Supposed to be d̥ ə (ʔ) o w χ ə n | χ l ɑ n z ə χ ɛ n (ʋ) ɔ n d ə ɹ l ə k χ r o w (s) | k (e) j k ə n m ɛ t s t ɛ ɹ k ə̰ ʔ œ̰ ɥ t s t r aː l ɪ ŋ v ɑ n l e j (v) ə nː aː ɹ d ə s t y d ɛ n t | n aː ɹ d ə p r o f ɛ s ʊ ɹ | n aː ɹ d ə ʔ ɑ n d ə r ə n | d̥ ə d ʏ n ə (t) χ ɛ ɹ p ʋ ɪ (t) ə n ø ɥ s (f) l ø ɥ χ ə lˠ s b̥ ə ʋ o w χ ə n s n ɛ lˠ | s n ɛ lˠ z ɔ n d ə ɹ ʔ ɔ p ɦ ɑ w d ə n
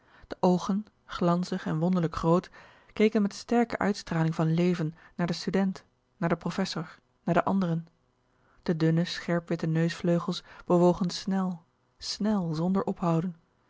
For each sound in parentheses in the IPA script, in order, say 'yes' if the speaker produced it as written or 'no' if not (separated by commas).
yes, yes, no, yes, yes, no, yes, yes